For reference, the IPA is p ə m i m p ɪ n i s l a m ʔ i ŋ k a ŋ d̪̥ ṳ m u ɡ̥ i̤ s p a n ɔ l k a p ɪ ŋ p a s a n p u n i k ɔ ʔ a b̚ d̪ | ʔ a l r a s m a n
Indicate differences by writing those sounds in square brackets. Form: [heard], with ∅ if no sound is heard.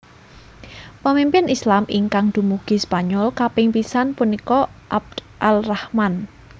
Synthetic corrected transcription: p ə m i m p ɪ n i s l a m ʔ i ŋ k a ŋ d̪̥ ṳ m u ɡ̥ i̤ s p a [ɲ] ɔ l k a p ɪ ŋ p [i] s a n p u n i k ɔ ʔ a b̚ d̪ | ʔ a l r a [h] m a n